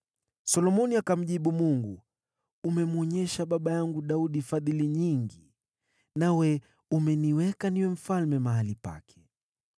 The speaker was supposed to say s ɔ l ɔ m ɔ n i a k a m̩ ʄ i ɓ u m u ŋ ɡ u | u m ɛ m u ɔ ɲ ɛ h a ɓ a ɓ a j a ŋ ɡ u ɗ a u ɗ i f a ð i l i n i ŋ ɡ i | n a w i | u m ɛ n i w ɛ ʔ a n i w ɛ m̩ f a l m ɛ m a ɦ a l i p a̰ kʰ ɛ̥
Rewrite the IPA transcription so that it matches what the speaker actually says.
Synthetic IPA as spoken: s ɔ l ɔ m ɔ n i a k a m̩ ʄ i ɓ u m u ŋ ɡ u | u m ɛ m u ɔ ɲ ɛ ʃ a ɓ a ɓ a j a ŋ ɡ u ɗ a u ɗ i f a ð i l i ɲ i ŋ ɡ i | n a w ɛ | u m ɛ n i w ɛ k a n i w ɛ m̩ f a l m ɛ m a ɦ a l i p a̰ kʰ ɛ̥

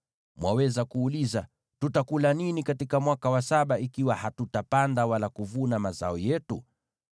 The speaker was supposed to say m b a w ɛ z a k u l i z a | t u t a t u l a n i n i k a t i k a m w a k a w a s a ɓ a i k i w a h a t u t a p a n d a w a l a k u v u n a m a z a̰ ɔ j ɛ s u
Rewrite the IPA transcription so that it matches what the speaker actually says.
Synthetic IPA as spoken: m w a w ɛ z a k uː l i z a | t u t a k u l a n i n i k a t i k a m w a k a w a s a ɓ a i k i w a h a t u t a p a n d a w a l a k u v u n a m a z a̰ ɔ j ɛ t u

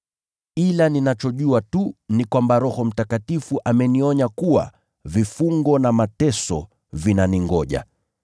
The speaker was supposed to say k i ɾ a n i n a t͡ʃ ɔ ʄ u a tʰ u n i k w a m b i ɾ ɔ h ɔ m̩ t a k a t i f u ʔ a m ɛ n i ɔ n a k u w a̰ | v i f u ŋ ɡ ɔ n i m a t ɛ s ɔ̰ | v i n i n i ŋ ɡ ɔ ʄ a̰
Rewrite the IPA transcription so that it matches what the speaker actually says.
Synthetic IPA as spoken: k i l a n i n a t͡ʃ ɔ ʄ u a t u n i k w a m b a ɾ ɔ h ɔ m̩ t a k a t i f u ʔ a m ɛ n i ɔ ɲ a k u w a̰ | v i f u ŋ ɡ ɔ n a m a t ɛ s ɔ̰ | v i n a n i ŋ ɡ ɔ ʄ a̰

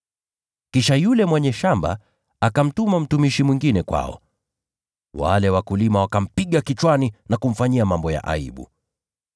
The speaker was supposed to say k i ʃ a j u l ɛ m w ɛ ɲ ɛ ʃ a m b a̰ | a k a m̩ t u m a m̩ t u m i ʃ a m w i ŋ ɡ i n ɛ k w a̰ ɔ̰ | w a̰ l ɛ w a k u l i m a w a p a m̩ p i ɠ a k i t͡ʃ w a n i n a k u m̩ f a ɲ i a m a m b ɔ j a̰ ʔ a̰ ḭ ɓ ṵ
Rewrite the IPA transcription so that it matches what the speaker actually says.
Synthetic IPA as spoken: k i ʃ a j u l ɛ m w ɛ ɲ ɛ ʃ a m b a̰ | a k a m̩ t u m a m̩ t u m i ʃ i m w i ŋ ɡ i n ɛ k w a̰ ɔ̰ | w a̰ l ɛ w a k u l i m a w a k a m̩ p i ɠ a k i t͡ʃ w a n i n a k u m̩ f a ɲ i a m a m b ɔ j a̰ ʔ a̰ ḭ ɓ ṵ

